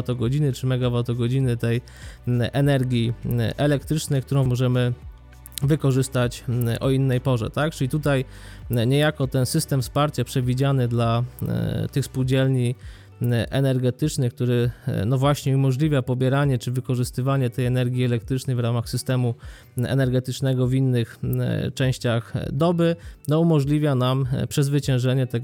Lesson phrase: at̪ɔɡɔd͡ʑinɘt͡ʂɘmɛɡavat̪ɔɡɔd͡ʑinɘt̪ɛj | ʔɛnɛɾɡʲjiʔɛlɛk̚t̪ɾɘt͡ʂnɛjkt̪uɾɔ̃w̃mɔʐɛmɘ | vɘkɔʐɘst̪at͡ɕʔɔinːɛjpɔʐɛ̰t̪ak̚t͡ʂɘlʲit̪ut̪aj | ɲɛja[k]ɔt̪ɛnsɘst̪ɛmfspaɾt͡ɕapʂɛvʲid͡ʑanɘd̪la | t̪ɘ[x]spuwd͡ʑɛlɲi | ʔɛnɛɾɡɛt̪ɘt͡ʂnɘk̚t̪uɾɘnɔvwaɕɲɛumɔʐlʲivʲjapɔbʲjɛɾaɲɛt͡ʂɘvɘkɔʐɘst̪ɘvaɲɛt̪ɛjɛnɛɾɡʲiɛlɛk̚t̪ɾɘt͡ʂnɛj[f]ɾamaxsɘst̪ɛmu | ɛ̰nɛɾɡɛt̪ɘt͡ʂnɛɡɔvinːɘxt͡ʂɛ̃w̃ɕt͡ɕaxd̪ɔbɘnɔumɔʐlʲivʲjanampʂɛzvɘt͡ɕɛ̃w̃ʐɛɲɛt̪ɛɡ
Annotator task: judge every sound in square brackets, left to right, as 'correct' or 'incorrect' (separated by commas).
correct, correct, incorrect